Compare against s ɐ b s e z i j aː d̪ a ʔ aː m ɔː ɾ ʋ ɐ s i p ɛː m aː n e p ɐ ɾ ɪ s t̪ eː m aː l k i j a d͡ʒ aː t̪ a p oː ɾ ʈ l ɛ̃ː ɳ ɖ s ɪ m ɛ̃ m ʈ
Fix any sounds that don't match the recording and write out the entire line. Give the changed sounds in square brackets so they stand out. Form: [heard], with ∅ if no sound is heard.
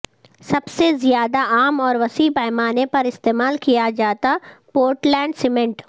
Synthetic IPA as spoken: s ɐ b s e z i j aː d̪ a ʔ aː m ɔː ɾ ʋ ɐ s i p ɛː m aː n e p ɐ ɾ ɪ s t̪ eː m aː l k i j a d͡ʒ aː t̪ a p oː ɾ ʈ l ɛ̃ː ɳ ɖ s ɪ m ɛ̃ [ɳ] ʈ